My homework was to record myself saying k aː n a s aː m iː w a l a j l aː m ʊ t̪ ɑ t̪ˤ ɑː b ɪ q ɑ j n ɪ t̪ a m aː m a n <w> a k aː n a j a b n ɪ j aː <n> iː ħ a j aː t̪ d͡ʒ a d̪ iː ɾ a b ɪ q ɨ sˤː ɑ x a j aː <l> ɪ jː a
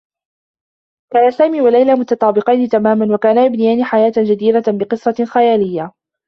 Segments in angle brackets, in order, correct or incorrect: correct, correct, correct

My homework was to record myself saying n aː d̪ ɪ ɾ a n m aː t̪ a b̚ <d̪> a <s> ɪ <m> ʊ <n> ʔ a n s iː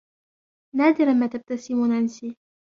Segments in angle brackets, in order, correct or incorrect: incorrect, correct, correct, correct

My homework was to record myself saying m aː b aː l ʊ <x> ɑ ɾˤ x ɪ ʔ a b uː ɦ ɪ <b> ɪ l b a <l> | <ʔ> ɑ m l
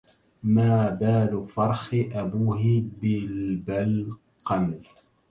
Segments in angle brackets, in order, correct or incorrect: incorrect, correct, correct, incorrect

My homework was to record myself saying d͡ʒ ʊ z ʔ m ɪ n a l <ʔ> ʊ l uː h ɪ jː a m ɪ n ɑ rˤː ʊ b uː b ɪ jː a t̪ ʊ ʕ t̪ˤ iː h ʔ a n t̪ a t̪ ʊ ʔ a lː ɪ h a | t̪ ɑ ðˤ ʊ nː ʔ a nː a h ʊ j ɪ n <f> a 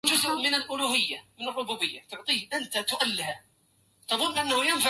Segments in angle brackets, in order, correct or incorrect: correct, correct

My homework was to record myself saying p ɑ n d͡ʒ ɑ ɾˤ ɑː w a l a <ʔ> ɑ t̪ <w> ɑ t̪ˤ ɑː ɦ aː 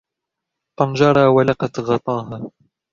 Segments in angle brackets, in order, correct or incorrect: incorrect, incorrect

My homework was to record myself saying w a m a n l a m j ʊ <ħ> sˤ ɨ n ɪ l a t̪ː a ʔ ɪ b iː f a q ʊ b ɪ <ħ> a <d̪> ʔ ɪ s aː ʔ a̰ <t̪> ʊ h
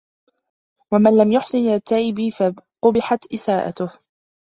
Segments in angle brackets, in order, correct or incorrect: correct, correct, incorrect, correct

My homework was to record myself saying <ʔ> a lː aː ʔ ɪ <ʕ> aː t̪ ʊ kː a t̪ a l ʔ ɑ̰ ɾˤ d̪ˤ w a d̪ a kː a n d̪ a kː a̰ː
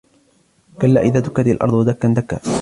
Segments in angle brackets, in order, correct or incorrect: incorrect, incorrect

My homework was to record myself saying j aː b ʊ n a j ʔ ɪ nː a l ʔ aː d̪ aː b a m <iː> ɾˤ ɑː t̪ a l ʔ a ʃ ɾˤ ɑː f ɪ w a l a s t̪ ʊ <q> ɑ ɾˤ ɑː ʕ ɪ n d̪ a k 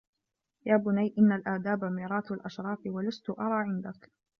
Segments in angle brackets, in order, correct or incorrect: correct, incorrect

